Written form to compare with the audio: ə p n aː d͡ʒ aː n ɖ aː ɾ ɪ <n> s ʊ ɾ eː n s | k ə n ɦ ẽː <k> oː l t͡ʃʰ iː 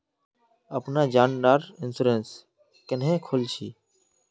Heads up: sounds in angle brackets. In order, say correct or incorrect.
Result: correct, incorrect: kʰ

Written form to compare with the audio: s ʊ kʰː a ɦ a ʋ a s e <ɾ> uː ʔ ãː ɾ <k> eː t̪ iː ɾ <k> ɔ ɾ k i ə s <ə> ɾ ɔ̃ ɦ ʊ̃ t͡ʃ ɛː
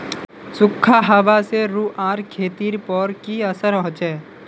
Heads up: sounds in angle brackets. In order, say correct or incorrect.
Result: correct, incorrect: kʰ, incorrect: p, correct

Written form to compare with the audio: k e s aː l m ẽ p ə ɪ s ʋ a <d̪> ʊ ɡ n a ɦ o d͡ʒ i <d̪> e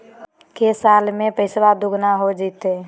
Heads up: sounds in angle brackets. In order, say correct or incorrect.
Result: correct, incorrect: t̪

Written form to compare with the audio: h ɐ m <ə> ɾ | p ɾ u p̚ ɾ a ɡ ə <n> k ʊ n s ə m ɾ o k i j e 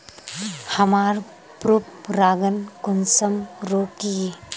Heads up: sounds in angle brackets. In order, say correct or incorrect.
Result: incorrect: a, correct

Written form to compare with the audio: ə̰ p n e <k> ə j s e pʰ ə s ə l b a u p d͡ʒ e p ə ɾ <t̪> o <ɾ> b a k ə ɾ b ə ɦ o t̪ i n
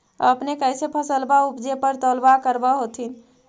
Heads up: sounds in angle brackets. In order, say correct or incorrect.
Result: correct, correct, incorrect: l

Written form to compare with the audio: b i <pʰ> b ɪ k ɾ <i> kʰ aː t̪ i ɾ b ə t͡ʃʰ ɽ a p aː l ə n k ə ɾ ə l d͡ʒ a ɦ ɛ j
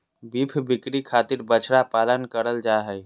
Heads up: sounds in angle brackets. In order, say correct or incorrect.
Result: correct, correct

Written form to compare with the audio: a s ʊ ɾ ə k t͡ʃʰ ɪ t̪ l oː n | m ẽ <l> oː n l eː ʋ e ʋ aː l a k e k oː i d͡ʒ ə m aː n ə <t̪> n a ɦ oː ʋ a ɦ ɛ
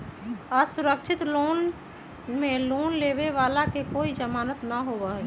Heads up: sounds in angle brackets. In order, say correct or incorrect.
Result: correct, correct

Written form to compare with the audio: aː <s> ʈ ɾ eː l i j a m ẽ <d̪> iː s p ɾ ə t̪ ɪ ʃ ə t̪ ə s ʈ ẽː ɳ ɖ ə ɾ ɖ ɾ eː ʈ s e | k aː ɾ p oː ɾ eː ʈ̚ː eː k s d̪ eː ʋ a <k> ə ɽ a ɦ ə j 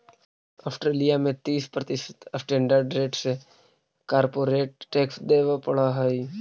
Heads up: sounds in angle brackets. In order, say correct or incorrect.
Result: correct, incorrect: t̪, incorrect: p

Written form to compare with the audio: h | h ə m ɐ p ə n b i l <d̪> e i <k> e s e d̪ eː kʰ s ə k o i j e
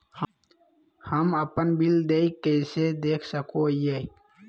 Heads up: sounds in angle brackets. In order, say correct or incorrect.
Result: correct, correct

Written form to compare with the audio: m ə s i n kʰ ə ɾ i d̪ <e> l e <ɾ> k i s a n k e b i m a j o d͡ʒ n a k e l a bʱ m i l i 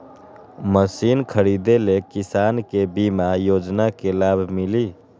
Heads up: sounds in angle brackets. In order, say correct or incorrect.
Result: correct, incorrect: none

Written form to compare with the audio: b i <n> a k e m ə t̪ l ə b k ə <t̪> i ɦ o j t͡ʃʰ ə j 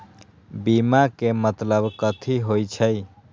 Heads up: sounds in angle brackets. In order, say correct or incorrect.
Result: incorrect: m, incorrect: t̪ʰ

